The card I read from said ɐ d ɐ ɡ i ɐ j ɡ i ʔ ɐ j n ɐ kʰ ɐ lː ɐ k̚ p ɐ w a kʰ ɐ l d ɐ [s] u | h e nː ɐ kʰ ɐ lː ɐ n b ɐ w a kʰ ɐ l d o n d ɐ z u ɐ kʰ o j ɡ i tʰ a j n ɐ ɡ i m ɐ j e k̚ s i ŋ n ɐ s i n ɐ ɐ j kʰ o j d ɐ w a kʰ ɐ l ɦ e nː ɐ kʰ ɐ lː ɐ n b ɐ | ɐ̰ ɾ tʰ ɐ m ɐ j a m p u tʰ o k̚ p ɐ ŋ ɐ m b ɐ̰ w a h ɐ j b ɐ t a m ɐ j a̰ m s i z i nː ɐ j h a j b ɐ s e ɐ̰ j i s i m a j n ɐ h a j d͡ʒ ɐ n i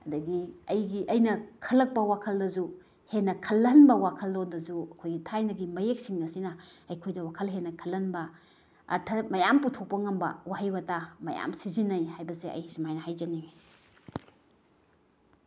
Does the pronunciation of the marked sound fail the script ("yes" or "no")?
yes